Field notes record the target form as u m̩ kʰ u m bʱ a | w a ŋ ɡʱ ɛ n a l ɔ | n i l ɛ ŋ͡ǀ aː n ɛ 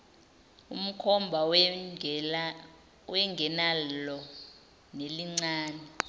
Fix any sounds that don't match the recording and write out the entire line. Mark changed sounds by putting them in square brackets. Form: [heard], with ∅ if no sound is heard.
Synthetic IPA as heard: u m̩ kʰ [ɔ] m bʱ a | w [ɛ] ŋ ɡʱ ɛ n a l ɔ | n [e] l [i] ŋ͡ǀ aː n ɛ